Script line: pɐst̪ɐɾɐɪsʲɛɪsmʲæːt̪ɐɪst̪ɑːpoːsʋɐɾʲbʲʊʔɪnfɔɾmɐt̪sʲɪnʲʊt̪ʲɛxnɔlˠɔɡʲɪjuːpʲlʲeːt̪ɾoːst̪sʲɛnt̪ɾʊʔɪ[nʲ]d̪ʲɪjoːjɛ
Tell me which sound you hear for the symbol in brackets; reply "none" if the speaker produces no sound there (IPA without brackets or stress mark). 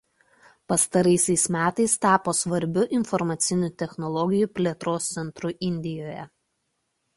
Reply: nʲ